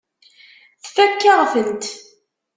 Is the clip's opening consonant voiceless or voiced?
voiceless